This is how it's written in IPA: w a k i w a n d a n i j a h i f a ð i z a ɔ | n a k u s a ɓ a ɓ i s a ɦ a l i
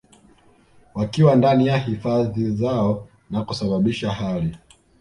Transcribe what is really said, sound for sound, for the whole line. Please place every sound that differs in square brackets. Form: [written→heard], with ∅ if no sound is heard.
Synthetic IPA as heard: w a k i w a n d a n i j a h i f a ð i z a ɔ | n a k u s a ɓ a ɓ i [s→ʃ] a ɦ a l i